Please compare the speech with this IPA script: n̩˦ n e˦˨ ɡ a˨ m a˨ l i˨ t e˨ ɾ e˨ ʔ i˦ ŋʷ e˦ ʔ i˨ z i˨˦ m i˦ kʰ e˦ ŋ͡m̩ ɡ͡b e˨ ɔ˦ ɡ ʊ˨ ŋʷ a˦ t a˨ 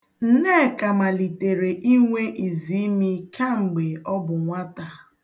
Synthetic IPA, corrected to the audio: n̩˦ n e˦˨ k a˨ m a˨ l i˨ t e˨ ɾ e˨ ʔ i˦ ŋʷ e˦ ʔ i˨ z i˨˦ m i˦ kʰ a˦ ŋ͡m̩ ɡ͡b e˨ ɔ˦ b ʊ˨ ŋʷ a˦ t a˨